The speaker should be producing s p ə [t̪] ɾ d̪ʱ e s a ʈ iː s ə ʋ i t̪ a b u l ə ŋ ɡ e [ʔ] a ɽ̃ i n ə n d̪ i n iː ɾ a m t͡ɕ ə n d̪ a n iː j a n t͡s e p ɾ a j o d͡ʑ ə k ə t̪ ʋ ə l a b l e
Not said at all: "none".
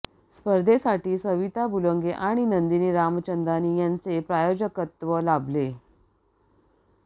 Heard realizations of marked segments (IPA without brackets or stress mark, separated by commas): none, ʔ